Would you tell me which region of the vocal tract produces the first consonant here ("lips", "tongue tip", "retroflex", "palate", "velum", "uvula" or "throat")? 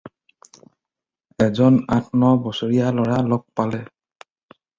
tongue tip